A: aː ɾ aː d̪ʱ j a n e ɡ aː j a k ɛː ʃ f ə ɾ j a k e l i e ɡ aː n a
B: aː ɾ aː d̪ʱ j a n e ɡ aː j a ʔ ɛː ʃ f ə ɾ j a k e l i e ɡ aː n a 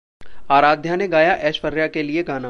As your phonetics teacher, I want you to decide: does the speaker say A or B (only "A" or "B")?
B